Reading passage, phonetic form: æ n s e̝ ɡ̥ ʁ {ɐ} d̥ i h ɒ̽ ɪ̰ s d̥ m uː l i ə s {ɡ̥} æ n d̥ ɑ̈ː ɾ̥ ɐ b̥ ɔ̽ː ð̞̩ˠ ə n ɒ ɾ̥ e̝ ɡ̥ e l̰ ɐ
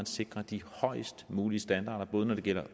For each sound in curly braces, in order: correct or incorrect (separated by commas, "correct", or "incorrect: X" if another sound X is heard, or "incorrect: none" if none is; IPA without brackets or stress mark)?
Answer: correct, incorrect: d̥